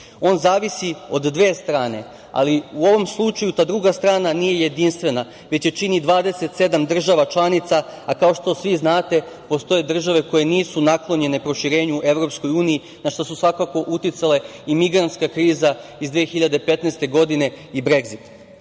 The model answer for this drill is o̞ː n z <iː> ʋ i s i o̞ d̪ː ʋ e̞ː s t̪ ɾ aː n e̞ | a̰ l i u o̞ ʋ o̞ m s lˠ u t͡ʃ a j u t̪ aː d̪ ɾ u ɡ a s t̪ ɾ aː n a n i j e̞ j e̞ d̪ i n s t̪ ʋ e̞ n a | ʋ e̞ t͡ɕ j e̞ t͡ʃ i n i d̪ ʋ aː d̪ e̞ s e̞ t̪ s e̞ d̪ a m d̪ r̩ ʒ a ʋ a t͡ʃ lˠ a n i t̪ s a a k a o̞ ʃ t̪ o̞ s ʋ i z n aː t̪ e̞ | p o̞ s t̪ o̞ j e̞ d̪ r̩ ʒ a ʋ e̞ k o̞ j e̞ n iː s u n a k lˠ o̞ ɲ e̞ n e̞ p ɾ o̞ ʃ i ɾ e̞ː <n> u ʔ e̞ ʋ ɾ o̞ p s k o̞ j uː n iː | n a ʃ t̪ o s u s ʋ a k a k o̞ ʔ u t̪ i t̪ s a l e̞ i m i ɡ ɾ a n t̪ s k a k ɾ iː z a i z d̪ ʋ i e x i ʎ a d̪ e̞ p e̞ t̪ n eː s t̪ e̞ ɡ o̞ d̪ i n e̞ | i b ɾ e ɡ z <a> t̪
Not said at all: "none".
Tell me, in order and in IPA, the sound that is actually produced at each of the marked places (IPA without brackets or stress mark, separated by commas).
aː, ɲ, i